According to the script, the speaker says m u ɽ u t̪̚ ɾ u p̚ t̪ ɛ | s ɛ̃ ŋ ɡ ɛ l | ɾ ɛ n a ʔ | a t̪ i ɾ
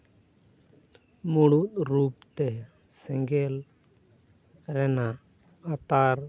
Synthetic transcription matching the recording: m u ɽ u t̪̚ ɾ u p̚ t̪ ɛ | s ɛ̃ ŋ ɡ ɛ l | ɾ ɛ n a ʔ | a t̪ a ɾ